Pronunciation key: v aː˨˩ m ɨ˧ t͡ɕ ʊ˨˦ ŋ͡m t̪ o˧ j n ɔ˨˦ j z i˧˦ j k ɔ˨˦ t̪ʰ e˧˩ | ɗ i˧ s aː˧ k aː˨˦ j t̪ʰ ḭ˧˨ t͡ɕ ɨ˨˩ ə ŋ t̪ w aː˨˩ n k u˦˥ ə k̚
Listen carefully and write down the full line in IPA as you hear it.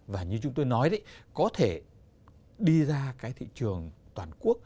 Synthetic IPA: v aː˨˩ ɲ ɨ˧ t͡ɕ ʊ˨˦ ŋ͡m t̪ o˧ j n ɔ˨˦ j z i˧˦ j k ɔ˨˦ t̪ʰ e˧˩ | ɗ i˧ z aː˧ k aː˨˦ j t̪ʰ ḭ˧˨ t͡ɕ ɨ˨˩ ə ŋ t̪ w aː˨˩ n k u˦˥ ə k̚